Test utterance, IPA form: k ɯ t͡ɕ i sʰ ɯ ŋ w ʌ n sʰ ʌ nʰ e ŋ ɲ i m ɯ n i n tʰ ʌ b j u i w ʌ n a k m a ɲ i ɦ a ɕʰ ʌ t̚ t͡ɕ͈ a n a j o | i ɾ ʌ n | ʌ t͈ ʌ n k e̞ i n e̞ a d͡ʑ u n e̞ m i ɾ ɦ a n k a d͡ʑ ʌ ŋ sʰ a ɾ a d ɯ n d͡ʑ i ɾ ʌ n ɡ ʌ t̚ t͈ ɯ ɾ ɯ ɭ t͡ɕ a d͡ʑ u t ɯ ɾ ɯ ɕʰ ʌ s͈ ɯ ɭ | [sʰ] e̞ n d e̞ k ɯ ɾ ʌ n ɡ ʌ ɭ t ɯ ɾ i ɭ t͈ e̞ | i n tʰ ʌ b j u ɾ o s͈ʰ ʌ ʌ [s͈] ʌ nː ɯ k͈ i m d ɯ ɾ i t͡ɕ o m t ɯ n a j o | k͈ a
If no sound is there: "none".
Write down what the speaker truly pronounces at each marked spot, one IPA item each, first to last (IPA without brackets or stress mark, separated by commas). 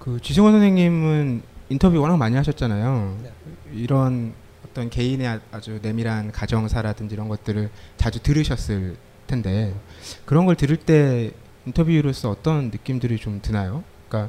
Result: tʰ, t͈